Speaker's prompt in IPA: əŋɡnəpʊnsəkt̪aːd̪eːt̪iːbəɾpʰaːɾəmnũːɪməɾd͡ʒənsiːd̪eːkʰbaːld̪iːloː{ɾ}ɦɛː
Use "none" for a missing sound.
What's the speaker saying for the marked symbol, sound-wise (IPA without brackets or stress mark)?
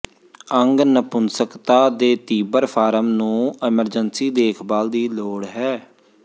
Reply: ɽ